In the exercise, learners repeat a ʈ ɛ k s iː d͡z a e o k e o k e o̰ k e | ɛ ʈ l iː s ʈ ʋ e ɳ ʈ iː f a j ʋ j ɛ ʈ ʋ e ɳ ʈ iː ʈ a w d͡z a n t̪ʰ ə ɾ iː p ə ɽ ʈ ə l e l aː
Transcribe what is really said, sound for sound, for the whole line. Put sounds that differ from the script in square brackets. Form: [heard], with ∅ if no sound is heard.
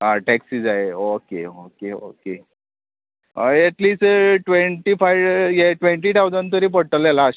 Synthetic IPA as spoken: a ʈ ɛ k s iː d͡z a e o k e o k e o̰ k e | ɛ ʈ l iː s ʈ ʋ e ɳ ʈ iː f a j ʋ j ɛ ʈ ʋ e ɳ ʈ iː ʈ a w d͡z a n [t̪] ə ɾ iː p ə ɽ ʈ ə l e l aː